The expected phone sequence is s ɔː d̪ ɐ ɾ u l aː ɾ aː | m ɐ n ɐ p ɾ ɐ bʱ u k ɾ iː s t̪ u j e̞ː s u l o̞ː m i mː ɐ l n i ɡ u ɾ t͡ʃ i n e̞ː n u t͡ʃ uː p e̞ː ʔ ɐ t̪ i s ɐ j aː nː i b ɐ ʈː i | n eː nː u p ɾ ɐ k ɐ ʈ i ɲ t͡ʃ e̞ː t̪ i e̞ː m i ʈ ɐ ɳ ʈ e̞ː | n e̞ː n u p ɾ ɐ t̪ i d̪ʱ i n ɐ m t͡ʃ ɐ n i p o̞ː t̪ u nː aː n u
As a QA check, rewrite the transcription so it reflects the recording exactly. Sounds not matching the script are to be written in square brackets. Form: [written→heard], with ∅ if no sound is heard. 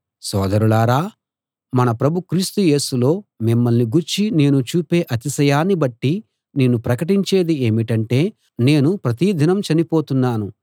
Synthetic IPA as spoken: s ɔː d̪ ɐ ɾ u l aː ɾ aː | m ɐ n ɐ p ɾ ɐ bʱ u k ɾ iː s t̪ u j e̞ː s u l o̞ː m i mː ɐ l n i ɡ u ɾ t͡ʃ i n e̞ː n u t͡ʃ uː p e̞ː ʔ ɐ t̪ i s ɐ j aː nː i b ɐ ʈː i | n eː [nː→n] u p ɾ ɐ k ɐ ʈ i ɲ t͡ʃ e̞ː [t̪→d̪] i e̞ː m i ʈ ɐ ɳ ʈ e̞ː | n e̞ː n u p ɾ ɐ t̪ i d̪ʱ i n ɐ m t͡ʃ ɐ n i p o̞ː t̪ u nː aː n u